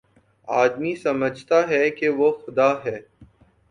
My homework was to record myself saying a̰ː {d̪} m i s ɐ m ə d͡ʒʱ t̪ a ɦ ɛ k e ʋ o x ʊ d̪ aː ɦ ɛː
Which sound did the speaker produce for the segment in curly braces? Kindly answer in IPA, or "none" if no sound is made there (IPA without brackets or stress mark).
d̪